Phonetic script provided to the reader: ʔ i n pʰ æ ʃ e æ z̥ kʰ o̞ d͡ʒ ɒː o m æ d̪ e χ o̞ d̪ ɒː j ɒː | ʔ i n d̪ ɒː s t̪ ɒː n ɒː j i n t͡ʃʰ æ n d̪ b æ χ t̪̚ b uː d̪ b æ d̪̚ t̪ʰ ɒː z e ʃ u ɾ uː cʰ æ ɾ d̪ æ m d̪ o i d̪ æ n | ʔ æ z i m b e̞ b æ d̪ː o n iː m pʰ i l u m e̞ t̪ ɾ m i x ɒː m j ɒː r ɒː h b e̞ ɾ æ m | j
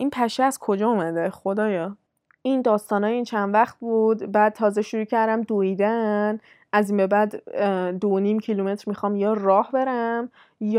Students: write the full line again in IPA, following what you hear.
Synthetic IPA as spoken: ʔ i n pʰ æ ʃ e æ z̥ kʰ o̞ d͡ʒ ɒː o m æ d̪ e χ o̞ d̪ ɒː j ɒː | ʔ i n d̪ ɒː s t̪ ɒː n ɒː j i n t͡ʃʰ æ n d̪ v æ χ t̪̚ b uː d̪ b æ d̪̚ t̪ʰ ɒː z e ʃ u ɾ uː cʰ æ ɾ d̪ æ m d̪ o i d̪ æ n | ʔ æ z i m b e̞ b æ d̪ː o n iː m cʰ i l u m e̞ t̪ ɾ m i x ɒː m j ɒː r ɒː h b e̞ ɾ æ m | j